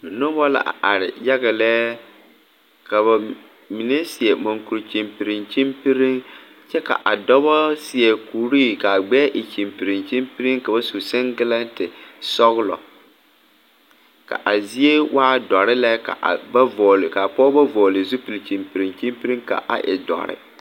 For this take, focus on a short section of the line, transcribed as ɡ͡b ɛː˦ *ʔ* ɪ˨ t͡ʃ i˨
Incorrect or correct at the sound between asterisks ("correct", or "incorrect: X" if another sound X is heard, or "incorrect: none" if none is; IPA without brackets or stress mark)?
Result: correct